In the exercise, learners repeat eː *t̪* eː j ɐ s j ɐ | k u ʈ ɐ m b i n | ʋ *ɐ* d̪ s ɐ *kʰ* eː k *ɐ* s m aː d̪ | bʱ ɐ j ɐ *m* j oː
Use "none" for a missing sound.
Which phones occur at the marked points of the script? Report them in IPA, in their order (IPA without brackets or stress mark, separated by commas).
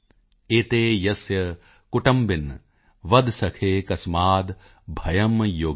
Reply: t̪, ɐ, kʰ, ɐ, m